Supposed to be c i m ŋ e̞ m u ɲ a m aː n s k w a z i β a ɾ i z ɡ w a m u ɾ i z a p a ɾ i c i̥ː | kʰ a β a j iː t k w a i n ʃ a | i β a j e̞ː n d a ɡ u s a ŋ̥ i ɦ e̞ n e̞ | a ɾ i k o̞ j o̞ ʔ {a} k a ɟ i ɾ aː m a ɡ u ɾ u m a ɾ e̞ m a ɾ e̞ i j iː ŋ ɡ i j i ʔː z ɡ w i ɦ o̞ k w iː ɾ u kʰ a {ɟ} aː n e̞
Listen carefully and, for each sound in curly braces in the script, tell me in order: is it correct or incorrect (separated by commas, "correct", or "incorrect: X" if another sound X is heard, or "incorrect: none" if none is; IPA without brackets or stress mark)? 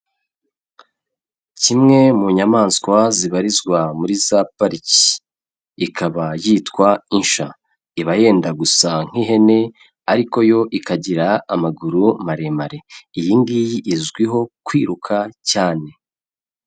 incorrect: i, incorrect: c